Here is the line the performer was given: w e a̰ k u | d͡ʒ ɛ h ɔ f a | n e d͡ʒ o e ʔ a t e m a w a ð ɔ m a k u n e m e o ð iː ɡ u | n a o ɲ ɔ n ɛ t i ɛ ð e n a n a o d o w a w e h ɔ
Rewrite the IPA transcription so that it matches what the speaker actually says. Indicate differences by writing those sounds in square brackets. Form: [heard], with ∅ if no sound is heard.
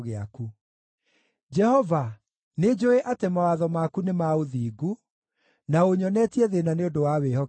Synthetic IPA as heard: [ɣ] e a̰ k u | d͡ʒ ɛ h ɔ [v] a | n e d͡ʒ o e ʔ a t e m a w a ð ɔ m a k u n e m [a] o ð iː ɡ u | n a o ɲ ɔ n ɛ t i ɛ ð e n a n [e] o d o w a w e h ɔ